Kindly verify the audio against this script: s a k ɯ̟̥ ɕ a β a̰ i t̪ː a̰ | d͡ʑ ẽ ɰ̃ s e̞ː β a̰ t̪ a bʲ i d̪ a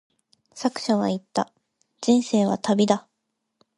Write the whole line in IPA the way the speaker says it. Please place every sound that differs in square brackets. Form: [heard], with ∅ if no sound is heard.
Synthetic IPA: s a k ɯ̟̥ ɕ a β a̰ i t̪ː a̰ | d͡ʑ [ĩ] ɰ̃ s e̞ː β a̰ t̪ a bʲ i d̪ a